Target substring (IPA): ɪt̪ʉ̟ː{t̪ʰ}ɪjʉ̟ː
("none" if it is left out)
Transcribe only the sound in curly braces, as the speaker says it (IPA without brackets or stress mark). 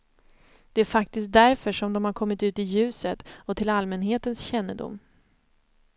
t̪